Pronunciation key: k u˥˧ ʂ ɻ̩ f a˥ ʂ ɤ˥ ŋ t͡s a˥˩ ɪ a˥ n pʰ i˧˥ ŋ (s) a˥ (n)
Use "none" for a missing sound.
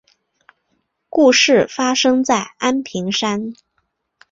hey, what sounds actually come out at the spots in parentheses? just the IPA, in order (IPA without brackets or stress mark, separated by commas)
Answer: ʂ, n